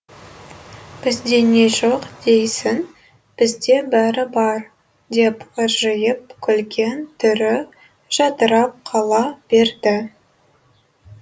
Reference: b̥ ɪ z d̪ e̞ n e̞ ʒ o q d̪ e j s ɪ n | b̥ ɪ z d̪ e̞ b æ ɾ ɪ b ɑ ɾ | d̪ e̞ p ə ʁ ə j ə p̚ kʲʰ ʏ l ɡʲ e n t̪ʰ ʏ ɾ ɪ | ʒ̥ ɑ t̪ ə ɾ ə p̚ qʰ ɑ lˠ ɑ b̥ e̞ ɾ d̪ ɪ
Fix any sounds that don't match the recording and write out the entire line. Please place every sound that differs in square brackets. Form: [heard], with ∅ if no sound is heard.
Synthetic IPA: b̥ ɪ z d̪ e̞ n e̞ ʒ o q d̪ e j s ɪ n | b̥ ɪ z d̪ e̞ b æ ɾ ɪ b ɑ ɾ | d̪ e̞ p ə [ʒ] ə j ə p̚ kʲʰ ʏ l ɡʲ e n t̪ʰ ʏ ɾ ɪ | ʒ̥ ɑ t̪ ə ɾ [ɑ] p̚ qʰ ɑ lˠ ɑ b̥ e̞ ɾ d̪ ɪ